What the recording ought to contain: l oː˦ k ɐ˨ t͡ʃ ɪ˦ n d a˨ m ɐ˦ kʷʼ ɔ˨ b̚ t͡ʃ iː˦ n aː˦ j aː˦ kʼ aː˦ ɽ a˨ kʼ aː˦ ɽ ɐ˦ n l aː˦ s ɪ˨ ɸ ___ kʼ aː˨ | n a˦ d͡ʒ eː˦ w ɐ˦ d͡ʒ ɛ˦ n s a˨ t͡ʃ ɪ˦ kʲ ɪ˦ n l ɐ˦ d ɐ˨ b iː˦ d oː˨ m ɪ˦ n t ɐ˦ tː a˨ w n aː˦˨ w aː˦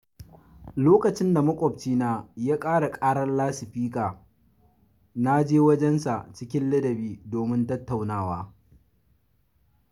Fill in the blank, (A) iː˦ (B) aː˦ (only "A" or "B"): A